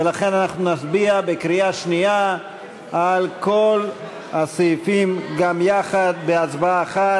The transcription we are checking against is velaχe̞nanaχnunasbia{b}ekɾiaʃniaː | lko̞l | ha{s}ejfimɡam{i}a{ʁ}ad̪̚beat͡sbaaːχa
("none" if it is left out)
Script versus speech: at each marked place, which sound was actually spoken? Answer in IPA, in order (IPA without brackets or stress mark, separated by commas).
b, s, j, χ